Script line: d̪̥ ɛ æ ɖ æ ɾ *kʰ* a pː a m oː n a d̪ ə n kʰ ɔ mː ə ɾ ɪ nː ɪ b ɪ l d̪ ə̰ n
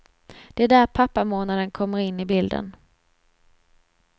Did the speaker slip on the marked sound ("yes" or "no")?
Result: yes